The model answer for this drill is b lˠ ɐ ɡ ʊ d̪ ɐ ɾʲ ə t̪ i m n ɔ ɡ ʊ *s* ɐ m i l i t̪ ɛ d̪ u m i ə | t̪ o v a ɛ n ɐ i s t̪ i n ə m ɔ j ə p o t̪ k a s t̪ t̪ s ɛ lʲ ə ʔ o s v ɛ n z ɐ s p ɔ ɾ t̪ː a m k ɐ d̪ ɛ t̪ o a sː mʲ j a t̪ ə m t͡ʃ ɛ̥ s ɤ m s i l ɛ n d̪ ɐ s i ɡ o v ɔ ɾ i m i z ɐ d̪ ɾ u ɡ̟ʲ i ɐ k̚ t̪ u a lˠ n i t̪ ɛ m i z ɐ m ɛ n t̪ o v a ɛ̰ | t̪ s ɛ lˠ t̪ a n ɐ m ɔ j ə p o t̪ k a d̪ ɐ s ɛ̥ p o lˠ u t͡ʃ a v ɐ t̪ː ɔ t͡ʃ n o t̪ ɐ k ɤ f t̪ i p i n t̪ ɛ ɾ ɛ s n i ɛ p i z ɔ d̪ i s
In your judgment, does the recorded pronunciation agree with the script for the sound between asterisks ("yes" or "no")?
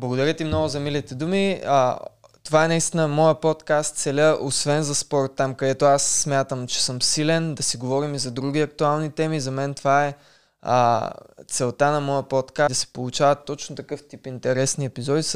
no